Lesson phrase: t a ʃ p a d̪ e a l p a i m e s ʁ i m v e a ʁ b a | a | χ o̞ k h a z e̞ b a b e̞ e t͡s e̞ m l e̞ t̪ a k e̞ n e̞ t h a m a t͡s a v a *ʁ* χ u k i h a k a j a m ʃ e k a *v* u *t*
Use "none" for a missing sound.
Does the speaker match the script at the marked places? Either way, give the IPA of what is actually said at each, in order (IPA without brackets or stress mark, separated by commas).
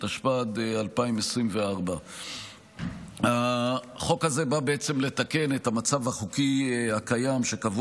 none, v, none